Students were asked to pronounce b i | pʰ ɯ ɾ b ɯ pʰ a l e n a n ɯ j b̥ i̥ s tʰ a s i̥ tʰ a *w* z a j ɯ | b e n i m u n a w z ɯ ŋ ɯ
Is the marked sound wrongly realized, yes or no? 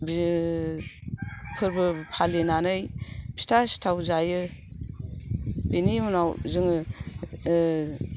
no